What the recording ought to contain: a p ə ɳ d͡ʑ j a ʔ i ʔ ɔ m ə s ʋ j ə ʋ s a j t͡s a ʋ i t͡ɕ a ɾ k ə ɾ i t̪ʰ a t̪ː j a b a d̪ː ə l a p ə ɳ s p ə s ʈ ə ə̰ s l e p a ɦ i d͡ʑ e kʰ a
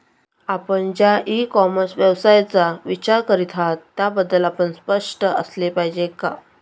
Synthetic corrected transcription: a p ə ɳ d͡ʑ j a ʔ i k ɔ m ə s ʋ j ə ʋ s a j t͡s a ʋ i t͡ɕ a ɾ k ə ɾ i t̪ʰ a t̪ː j a b ə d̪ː ə l a p ə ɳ s p ə ʂ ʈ ə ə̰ s l e p a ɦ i d͡ʑ e k a